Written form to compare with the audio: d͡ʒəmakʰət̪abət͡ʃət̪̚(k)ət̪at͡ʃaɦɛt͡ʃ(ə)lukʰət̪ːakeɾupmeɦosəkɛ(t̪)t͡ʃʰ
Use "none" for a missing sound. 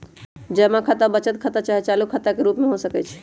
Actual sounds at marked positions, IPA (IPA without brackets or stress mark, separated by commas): kʰ, a, none